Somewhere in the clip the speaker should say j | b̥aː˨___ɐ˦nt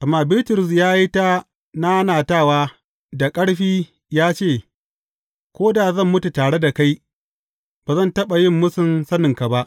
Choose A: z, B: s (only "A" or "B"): A